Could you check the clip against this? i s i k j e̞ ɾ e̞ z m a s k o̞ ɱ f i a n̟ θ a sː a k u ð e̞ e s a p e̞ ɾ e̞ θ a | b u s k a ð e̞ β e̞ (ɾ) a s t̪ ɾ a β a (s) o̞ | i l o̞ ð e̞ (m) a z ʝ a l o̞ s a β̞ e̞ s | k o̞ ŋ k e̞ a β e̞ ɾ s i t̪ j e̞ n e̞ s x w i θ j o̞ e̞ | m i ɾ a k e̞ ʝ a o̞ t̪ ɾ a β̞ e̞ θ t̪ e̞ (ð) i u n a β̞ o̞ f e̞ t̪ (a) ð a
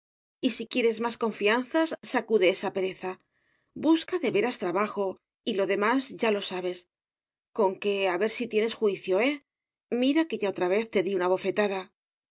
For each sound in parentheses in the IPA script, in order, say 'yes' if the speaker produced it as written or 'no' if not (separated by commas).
yes, no, yes, yes, yes